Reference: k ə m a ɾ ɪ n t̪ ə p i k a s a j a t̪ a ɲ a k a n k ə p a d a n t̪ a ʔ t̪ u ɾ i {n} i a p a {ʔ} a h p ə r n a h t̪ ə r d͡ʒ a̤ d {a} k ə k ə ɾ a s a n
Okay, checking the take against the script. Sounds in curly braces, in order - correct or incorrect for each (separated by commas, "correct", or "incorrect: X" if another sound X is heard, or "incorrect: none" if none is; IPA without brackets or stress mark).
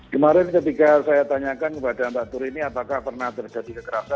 correct, incorrect: k, incorrect: i